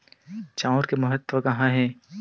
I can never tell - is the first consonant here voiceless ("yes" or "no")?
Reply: yes